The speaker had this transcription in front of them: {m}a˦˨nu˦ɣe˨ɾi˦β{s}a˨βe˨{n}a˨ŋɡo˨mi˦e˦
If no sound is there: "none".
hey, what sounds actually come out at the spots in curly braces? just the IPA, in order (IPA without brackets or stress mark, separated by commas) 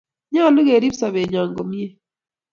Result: ɲ, s, ɲ